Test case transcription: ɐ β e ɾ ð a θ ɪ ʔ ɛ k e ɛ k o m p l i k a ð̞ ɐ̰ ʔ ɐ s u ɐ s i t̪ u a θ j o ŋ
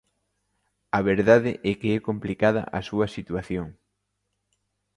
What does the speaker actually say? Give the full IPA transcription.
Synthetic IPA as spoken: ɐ β e ɾ ð a ð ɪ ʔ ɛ k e ɛ k o m p l i k a ð̞ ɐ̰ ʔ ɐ s u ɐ s i t̪ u a θ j o ŋ